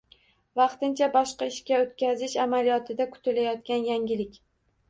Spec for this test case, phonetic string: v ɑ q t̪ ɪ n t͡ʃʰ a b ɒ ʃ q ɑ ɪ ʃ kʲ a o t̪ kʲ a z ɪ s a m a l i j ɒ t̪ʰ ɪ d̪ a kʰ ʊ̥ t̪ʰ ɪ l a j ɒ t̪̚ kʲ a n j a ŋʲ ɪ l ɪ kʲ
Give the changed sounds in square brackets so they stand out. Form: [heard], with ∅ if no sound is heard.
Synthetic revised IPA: v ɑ q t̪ ɪ n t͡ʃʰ a b ɒ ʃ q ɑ ɪ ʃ kʲ a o t̪ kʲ a z ɪ [ʃ] a m a l i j ɒ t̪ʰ ɪ d̪ a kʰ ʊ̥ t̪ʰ ɪ l a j ɒ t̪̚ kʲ a n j a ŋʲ ɪ l ɪ kʲ